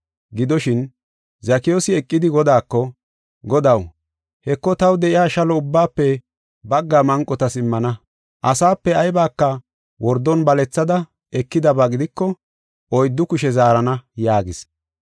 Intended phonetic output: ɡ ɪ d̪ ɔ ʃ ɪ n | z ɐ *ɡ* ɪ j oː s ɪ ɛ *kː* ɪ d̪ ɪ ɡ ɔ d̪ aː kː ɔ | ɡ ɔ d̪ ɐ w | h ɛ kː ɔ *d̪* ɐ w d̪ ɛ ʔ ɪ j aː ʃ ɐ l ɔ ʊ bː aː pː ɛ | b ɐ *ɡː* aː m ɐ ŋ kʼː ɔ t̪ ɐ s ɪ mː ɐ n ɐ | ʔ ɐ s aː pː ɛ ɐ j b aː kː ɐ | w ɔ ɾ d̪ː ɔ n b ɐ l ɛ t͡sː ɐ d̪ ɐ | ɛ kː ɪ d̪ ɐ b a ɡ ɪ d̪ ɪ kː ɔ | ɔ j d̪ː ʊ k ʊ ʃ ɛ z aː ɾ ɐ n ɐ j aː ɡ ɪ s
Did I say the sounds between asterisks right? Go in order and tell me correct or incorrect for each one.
incorrect, incorrect, incorrect, correct

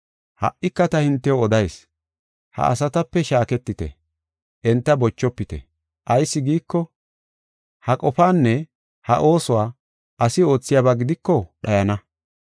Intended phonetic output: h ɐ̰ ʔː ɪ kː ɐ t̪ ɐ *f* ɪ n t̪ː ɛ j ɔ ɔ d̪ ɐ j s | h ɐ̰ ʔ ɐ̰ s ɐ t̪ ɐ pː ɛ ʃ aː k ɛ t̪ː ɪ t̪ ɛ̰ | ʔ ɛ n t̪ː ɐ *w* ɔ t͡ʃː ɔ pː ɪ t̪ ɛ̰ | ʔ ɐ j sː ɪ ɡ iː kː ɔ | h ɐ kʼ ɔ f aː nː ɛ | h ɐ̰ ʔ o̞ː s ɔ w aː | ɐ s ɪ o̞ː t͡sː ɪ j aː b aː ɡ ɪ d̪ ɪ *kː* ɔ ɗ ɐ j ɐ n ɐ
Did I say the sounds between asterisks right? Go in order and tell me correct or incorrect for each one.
incorrect, incorrect, correct

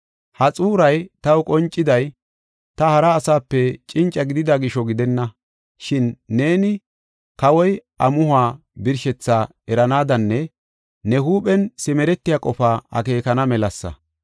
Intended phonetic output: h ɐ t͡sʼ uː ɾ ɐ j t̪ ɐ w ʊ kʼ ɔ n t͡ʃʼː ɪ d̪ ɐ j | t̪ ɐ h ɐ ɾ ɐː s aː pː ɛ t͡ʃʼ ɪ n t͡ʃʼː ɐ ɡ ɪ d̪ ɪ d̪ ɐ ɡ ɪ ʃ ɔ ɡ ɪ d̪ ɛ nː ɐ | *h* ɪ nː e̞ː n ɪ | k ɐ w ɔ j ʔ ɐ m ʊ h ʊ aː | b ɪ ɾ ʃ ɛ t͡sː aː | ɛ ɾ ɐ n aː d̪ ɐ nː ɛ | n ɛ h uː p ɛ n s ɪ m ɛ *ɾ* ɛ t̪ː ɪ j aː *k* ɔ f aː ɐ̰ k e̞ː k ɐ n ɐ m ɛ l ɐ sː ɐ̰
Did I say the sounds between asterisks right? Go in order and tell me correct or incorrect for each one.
incorrect, correct, incorrect

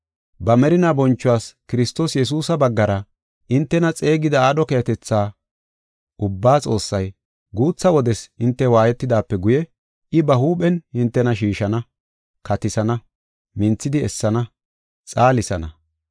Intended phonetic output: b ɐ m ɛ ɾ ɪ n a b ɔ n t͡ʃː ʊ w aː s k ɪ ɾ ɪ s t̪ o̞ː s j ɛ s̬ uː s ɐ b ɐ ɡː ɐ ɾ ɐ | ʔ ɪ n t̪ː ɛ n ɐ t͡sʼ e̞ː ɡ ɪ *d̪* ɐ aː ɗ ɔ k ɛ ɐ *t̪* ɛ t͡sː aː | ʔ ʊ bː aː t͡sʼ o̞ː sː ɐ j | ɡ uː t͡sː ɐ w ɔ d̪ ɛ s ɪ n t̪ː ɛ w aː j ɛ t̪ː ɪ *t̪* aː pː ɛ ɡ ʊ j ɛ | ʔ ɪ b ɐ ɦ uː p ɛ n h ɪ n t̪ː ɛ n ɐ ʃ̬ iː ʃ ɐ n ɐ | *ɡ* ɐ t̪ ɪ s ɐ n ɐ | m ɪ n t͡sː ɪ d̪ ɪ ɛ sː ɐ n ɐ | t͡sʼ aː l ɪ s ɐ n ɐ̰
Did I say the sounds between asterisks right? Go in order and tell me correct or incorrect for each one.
correct, correct, incorrect, incorrect

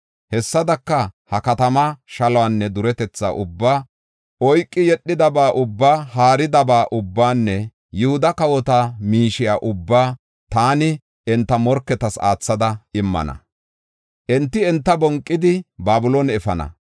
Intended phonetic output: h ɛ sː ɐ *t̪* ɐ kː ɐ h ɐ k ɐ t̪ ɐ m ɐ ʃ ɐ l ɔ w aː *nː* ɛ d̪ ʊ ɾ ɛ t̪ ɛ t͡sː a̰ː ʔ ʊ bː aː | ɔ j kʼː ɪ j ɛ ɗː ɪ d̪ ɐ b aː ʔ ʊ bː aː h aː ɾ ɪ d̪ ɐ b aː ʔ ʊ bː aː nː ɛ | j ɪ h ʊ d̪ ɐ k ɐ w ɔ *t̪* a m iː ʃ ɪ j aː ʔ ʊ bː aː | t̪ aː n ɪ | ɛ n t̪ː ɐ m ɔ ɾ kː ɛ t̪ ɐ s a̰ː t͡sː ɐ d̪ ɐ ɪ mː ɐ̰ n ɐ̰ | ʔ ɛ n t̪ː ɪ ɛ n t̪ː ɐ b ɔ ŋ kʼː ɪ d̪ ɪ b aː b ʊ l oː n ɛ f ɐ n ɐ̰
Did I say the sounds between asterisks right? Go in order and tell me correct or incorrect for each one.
incorrect, correct, correct

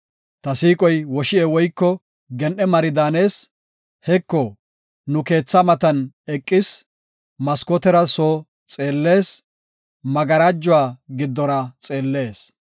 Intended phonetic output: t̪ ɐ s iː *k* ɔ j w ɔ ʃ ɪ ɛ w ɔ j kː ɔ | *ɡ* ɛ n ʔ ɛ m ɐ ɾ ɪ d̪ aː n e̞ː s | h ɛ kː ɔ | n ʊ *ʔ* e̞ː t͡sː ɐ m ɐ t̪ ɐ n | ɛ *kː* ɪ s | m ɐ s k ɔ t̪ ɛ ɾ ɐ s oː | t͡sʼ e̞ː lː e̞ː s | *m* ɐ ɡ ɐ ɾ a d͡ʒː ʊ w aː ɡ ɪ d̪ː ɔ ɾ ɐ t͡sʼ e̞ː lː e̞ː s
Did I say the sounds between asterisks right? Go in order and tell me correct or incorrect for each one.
incorrect, correct, incorrect, incorrect, correct

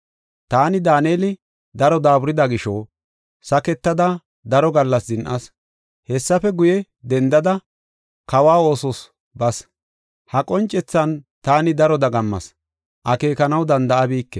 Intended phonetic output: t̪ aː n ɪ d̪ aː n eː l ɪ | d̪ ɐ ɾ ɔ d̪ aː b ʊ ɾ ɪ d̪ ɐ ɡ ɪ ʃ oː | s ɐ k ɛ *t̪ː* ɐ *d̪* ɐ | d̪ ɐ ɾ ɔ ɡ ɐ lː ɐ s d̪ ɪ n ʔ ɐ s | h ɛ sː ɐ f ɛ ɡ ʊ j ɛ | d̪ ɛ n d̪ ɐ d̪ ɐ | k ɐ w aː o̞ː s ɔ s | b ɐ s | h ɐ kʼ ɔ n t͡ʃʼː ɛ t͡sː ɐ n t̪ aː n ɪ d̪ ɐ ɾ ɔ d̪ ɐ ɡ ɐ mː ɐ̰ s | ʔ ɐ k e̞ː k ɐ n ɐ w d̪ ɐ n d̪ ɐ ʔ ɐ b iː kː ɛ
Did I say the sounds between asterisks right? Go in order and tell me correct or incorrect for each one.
correct, correct

